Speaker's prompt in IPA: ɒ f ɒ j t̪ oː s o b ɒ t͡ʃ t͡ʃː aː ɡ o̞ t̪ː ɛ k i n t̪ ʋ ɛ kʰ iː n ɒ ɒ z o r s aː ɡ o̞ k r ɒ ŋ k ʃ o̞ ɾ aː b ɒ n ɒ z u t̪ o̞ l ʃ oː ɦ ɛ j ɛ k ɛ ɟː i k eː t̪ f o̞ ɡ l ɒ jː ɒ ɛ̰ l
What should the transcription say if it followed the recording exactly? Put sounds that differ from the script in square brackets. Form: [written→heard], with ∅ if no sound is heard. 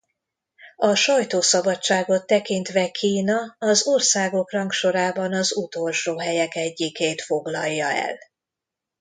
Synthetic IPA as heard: ɒ [f→ʃ] ɒ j t̪ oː s [o→ɒ] b ɒ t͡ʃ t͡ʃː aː ɡ o̞ t̪ː ɛ k i n t̪ ʋ ɛ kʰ iː n ɒ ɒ z o r s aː ɡ o̞ k r ɒ ŋ k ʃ o̞ ɾ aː b ɒ n ɒ z u t̪ o̞ l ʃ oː ɦ ɛ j ɛ k ɛ ɟː i k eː t̪ f o̞ ɡ l ɒ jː ɒ ɛ̰ l